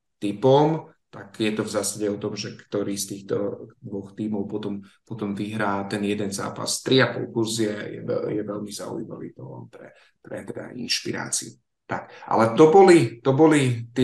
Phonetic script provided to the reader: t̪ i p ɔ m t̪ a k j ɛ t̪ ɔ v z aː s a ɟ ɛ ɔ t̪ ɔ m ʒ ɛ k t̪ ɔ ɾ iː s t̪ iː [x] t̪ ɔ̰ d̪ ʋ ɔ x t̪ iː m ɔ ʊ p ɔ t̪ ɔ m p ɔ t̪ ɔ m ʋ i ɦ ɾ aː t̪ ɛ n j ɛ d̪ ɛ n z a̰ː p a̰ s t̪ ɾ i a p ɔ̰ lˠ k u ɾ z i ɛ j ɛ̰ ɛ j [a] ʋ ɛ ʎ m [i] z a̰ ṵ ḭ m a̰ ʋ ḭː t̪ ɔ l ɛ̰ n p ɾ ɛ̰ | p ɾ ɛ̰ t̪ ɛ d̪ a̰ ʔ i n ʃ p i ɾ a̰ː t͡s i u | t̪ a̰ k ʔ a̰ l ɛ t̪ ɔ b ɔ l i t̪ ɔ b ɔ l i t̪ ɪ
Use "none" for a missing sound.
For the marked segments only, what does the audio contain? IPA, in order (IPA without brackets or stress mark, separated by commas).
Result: x, ɛ, i